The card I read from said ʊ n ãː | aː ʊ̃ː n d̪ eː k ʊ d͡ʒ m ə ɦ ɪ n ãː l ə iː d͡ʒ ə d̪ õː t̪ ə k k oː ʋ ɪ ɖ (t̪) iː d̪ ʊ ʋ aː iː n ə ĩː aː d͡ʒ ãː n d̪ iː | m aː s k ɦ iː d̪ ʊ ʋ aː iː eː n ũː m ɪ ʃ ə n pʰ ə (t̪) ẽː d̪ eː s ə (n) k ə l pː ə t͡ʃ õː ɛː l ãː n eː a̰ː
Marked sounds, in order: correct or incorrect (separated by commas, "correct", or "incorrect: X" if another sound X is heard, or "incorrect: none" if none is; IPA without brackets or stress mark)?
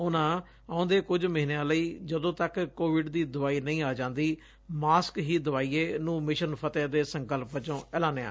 incorrect: d̪, correct, incorrect: ŋ